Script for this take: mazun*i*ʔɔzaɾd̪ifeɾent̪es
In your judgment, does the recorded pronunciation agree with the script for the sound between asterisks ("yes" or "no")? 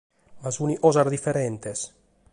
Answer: yes